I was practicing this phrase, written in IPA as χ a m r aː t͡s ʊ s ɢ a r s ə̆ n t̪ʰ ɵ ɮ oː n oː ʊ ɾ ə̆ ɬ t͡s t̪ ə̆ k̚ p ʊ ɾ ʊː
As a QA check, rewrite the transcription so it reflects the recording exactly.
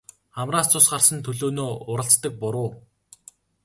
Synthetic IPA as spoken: χ a m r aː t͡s ʊ s ɢ a r s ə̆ n t̪ʰ ɵ ɮ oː n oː ʊ ɾ ə̆ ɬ t͡s t̪ ə̆ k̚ p ʊ ɾ ʊː